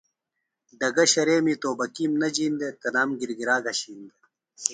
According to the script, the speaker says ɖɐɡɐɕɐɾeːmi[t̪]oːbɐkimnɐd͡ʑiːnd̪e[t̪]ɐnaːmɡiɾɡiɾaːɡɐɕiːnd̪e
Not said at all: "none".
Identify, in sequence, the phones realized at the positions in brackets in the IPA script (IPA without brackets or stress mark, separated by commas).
t̪, t̪